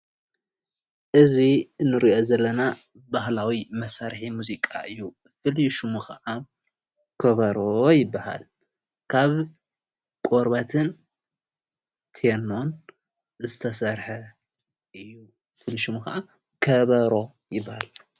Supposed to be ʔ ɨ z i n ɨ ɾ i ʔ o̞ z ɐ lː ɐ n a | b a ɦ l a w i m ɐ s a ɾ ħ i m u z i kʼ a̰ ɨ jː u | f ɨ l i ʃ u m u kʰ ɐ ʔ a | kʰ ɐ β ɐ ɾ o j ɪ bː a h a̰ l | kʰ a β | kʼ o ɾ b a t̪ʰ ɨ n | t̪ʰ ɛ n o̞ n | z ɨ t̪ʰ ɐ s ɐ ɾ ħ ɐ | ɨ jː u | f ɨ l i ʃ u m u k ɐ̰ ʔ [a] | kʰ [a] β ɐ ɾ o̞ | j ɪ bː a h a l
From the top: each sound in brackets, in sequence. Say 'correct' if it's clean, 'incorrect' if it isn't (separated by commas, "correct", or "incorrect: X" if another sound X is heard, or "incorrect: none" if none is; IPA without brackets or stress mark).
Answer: correct, incorrect: ɐ